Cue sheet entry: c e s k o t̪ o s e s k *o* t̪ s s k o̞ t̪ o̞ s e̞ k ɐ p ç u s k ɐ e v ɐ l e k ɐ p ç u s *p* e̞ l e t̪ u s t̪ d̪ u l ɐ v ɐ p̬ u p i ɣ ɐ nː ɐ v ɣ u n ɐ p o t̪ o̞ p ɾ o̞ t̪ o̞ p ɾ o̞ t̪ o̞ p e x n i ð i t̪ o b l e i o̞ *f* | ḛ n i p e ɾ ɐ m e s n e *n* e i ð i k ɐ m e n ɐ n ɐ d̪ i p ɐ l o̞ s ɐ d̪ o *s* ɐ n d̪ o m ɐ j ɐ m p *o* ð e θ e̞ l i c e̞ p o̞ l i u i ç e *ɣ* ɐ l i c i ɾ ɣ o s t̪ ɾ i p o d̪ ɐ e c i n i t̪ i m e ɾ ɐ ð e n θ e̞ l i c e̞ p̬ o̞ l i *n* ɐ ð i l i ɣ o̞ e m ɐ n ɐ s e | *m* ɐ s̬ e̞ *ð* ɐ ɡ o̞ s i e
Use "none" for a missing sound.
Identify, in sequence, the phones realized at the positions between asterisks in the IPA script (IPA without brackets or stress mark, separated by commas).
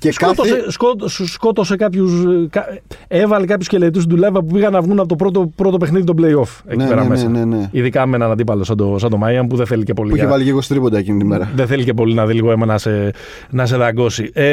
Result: o, c, f, n, s, u, v, n, n, ð